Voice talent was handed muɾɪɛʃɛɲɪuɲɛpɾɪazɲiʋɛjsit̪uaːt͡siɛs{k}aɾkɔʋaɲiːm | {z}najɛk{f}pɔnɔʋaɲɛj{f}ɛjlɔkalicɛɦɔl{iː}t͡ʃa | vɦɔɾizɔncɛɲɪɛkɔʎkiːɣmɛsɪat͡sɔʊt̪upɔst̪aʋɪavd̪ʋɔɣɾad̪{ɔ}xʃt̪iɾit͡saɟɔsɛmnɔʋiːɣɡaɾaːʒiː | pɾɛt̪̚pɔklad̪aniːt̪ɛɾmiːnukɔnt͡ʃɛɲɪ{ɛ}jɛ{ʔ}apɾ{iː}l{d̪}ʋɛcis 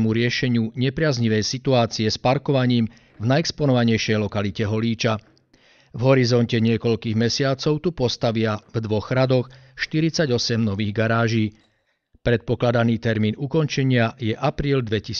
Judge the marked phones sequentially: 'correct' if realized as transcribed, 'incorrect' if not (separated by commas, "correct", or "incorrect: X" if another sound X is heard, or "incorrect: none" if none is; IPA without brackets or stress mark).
incorrect: p, incorrect: v, incorrect: s, incorrect: ʃ, correct, correct, incorrect: a, correct, correct, correct